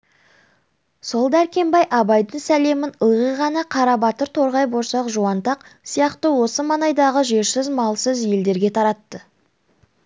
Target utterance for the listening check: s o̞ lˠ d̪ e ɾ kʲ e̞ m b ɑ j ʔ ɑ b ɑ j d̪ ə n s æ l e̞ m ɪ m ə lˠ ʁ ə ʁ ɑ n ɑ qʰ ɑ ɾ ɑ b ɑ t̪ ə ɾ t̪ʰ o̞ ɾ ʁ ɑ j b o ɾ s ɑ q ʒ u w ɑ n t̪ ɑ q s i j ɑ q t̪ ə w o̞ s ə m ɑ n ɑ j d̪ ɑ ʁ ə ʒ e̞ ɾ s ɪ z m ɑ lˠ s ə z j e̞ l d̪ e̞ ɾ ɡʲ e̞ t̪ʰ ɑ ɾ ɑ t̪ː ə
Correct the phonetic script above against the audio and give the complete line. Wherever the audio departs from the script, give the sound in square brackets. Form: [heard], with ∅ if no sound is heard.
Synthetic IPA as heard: s o̞ lˠ d̪ [æ] ɾ kʲ e̞ m b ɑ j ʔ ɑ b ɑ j d̪ ə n s æ l e̞ m ɪ [n] ə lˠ ʁ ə ʁ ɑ n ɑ qʰ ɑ ɾ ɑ b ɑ t̪ ə ɾ t̪ʰ o̞ ɾ ʁ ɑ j b o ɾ s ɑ q ʒ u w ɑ n t̪ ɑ q s i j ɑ q t̪ ə w o̞ s ə m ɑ n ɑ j d̪ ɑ ʁ ə ʒ e̞ ɾ s ɪ z m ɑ lˠ s ə z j e̞ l d̪ e̞ ɾ ɡʲ e̞ t̪ʰ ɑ ɾ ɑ t̪ː ə